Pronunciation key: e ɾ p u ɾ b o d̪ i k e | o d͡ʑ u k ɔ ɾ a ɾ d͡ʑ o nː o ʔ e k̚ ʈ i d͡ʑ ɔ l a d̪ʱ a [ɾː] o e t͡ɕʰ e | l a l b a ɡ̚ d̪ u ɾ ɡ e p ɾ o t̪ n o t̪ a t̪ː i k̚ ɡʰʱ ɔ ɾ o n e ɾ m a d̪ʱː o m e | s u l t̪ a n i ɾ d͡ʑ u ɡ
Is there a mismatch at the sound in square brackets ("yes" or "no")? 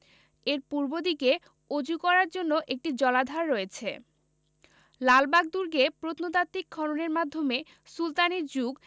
no